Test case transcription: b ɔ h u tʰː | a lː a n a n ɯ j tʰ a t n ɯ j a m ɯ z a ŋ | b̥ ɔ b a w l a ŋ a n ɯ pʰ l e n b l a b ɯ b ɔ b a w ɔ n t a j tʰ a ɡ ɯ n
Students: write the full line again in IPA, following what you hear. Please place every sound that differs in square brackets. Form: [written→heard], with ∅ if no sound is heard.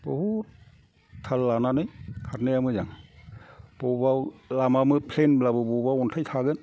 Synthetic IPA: b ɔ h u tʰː | a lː a n a n ɯ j [tʰ→kʰ] a t n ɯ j a m ɯ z a ŋ | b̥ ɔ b a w l a [ŋ→m] a [n→m] ɯ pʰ l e n b l a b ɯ b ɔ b a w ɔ n [t→tʰ] a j tʰ a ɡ ɯ n